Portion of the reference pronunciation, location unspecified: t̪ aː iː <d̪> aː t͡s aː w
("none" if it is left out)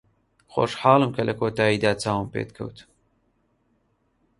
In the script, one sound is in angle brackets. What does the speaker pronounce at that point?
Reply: d̪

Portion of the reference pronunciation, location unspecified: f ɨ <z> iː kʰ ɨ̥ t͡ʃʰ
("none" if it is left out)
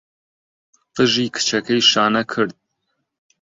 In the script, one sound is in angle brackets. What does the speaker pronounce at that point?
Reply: ʒ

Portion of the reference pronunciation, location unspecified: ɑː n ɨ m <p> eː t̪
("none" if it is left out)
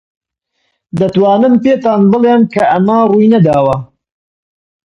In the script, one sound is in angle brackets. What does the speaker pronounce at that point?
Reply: p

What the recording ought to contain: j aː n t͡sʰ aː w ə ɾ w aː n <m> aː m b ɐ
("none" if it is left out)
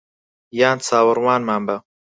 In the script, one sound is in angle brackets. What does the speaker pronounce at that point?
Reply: m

